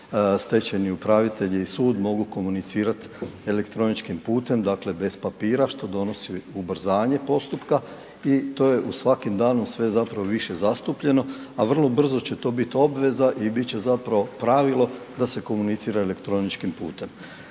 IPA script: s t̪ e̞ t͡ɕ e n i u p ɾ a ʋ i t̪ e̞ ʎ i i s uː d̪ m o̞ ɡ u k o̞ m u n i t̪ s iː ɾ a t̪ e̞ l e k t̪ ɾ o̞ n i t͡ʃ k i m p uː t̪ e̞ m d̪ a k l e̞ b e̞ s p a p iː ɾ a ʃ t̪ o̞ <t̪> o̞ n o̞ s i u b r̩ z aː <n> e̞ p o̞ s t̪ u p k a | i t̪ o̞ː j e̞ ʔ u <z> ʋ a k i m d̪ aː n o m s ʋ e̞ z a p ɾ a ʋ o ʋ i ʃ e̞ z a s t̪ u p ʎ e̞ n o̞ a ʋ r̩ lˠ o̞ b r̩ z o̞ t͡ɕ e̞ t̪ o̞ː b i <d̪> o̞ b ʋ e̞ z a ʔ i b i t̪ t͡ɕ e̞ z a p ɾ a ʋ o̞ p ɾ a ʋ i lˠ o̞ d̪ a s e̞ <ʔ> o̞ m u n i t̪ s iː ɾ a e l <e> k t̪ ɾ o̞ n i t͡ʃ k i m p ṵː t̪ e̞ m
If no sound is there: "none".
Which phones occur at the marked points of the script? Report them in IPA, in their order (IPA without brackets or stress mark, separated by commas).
d̪, ɲ, s, t̪, k, e